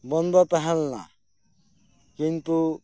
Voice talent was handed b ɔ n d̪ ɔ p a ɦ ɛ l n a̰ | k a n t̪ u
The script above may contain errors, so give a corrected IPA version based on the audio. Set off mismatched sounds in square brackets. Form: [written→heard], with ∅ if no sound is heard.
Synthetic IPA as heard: b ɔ n d̪ ɔ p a ɦ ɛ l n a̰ | k [a→i] n t̪ u